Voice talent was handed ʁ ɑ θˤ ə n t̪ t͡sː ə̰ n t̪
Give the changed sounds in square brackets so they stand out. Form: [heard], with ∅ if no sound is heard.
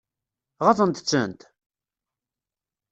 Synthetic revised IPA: ʁ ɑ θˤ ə n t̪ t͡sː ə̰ n t̪